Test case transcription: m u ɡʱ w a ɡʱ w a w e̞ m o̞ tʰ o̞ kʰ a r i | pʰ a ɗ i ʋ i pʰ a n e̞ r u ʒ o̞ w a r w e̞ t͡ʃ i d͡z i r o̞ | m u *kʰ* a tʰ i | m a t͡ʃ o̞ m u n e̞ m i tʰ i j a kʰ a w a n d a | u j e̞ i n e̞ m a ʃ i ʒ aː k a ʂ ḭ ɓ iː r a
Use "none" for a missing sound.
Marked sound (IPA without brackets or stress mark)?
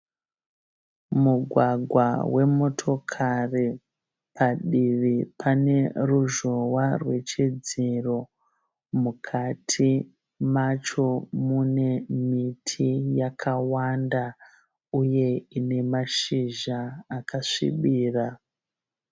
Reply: kʰ